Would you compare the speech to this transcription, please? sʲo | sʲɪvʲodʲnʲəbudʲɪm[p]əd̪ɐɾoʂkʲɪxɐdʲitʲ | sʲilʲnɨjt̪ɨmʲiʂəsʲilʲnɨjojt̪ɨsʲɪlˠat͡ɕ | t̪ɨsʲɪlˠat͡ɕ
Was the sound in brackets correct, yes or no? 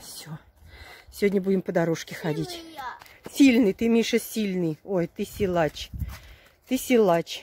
yes